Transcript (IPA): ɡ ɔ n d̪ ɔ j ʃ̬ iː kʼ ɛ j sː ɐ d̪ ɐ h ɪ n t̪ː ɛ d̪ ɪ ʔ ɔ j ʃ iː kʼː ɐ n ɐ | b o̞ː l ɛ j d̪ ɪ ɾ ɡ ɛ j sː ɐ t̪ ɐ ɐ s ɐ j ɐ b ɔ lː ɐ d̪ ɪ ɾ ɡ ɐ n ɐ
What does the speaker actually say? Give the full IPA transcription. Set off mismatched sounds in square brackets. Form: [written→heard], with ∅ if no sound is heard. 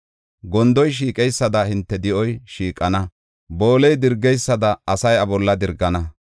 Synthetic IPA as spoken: ɡ ɔ n d̪ ɔ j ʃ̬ iː kʼ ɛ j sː ɐ d̪ ɐ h ɪ n t̪ː ɛ d̪ ɪ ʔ ɔ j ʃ iː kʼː ɐ n ɐ | b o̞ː l ɛ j d̪ ɪ ɾ ɡ ɛ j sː ɐ [t̪→d̪] ɐ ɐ s ɐ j ɐ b ɔ lː ɐ d̪ ɪ ɾ ɡ ɐ n ɐ

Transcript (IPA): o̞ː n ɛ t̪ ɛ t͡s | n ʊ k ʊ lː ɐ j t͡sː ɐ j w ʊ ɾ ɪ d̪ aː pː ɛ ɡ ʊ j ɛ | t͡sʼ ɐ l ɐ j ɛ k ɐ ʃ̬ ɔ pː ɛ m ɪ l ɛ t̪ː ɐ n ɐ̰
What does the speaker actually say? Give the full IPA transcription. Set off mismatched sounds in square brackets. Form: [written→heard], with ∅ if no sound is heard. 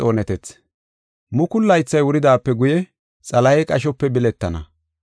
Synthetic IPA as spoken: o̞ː n ɛ t̪ ɛ t͡s | [n→m] ʊ k ʊ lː ɐ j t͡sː ɐ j w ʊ ɾ ɪ d̪ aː pː ɛ ɡ ʊ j ɛ | t͡sʼ ɐ l ɐ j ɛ [k→kʼ] ɐ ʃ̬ ɔ pː ɛ [m→b] ɪ l ɛ t̪ː ɐ n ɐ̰

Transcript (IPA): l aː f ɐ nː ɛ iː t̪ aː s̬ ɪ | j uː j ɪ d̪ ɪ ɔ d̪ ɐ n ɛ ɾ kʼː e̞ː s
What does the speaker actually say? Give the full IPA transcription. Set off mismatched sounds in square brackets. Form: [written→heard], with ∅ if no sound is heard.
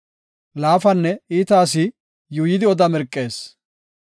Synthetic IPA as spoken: l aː f ɐ nː ɛ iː t̪ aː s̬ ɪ | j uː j ɪ d̪ ɪ ɔ d̪ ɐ [n→m] ɛ ɾ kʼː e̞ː s

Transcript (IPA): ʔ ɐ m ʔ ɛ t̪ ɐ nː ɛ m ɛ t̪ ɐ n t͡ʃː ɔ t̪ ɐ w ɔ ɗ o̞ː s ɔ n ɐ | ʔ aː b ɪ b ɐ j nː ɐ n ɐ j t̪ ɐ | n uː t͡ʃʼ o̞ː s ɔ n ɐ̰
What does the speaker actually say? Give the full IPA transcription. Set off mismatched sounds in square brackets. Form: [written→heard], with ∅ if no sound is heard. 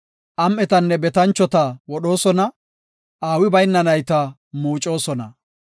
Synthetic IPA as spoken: ʔ ɐ m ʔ ɛ t̪ ɐ nː ɛ [m→b] ɛ t̪ ɐ n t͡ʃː ɔ t̪ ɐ w ɔ ɗ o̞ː s ɔ n ɐ | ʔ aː [b→w] ɪ b ɐ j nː ɐ n ɐ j t̪ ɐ | [n→m] uː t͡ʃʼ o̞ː s ɔ n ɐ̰

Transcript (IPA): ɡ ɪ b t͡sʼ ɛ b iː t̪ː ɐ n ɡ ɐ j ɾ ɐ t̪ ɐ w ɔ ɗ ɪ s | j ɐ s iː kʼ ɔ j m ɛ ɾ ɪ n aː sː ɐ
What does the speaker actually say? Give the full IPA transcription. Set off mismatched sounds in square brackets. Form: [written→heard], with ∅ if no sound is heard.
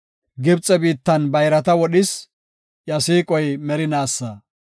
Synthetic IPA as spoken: ɡ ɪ b t͡sʼ ɛ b iː t̪ː ɐ n [ɡ→b] ɐ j ɾ ɐ t̪ ɐ w ɔ ɗ ɪ s | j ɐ s iː kʼ ɔ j m ɛ ɾ ɪ n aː sː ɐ

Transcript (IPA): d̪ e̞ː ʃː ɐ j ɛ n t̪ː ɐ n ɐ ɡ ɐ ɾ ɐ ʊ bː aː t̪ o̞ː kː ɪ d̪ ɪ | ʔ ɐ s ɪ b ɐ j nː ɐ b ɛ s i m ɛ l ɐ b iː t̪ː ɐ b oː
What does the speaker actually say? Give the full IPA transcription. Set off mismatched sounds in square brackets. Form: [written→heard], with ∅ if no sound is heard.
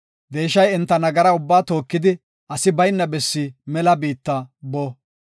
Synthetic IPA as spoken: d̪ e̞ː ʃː ɐ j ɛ n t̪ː ɐ n ɐ ɡ ɐ ɾ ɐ ʊ bː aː t̪ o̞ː kː ɪ d̪ ɪ | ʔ ɐ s ɪ b ɐ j nː ɐ b ɛ [s→sː] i m ɛ l ɐ b iː t̪ː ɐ b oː

